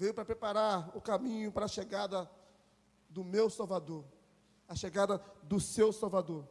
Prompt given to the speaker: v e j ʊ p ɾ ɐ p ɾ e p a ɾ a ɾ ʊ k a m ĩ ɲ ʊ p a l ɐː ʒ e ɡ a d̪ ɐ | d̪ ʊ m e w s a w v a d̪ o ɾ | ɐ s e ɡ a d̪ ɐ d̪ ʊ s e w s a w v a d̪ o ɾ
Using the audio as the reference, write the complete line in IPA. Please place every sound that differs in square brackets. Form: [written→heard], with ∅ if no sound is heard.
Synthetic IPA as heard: v e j ʊ p ɾ ɐ p ɾ e p a ɾ a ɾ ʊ k a m ĩ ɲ ʊ p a [l→ɾ] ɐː [ʒ→ʃ] e ɡ a d̪ ɐ | d̪ ʊ m e w s a w v a d̪ o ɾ | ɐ [s→ʃ] e ɡ a d̪ ɐ d̪ ʊ s e w s a w v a d̪ o ɾ